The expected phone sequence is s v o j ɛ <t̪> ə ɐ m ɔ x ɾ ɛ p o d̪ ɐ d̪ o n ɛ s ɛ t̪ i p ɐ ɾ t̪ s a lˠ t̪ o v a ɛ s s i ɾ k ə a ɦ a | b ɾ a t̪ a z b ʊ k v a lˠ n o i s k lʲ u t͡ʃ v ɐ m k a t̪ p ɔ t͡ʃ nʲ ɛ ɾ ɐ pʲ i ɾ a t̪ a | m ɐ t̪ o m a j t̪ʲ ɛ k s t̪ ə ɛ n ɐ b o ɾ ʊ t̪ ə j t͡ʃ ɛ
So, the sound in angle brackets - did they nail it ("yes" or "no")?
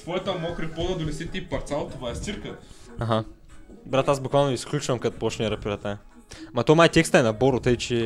yes